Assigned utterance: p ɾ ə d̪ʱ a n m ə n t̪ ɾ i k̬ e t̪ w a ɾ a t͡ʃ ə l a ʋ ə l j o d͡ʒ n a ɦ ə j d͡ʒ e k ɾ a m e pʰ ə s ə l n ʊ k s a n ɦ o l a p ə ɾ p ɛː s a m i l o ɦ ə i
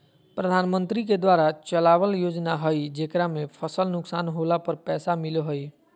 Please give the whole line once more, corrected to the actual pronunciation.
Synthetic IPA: p ɾ ə d̪ʱ a n m ə n t̪ ɾ i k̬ e d̪ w a ɾ a t͡ʃ ə l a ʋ ə l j o d͡ʒ n a ɦ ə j d͡ʒ e k ɾ a m e pʰ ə s ə l n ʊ k s a n ɦ o l a p ə ɾ p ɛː s a m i l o ɦ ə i